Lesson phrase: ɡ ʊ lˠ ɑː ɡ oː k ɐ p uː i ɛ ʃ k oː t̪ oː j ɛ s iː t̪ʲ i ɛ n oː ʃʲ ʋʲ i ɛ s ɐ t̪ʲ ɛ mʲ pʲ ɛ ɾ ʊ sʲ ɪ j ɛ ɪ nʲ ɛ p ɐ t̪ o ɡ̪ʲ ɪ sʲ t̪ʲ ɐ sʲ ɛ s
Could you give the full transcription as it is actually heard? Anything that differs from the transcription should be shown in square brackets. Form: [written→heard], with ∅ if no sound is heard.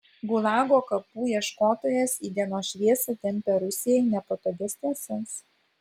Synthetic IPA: ɡ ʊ lˠ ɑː ɡ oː k ɐ p uː i ɛ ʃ k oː t̪ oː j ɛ s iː [t̪ʲ→d̪ʲ] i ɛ n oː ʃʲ ʋʲ i ɛ s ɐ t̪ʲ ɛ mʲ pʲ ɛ ɾ ʊ sʲ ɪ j ɛ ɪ nʲ ɛ p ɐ t̪ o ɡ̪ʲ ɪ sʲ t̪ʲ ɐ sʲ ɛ s